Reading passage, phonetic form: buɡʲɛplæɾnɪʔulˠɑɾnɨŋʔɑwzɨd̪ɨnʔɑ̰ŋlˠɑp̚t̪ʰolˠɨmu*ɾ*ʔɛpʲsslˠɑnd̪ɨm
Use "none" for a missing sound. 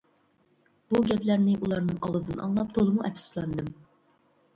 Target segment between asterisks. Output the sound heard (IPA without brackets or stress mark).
none